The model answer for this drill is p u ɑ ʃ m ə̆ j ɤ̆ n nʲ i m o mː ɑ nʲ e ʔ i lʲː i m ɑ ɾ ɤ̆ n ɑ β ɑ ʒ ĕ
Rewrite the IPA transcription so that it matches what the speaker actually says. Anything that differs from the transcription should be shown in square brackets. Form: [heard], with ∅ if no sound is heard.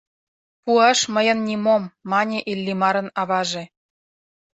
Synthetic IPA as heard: p u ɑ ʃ m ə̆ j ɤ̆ n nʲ i m o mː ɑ nʲ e ʔ i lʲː i m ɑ ɾ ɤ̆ n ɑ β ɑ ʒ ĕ